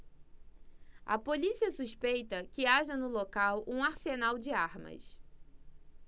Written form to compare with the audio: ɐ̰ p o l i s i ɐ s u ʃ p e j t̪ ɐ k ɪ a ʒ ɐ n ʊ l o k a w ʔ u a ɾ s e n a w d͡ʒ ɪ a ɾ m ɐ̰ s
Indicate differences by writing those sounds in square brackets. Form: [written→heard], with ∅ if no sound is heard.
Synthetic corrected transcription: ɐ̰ p o l i s i ɐ s u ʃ p e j t̪ ɐ k ɪ a ʒ ɐ n ʊ l o k a w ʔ [u→ũ] a ɾ s e n a w d͡ʒ ɪ a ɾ m ɐ̰ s